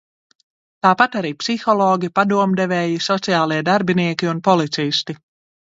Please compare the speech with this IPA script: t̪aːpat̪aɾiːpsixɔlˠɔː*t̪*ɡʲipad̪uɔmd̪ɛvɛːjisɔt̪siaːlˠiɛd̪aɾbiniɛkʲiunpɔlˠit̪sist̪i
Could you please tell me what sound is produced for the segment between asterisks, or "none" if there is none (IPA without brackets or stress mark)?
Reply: none